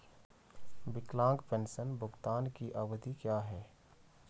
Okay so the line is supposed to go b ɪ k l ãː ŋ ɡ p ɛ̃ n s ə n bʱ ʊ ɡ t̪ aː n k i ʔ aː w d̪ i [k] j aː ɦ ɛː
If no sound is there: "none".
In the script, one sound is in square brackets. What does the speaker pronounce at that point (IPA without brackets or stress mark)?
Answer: k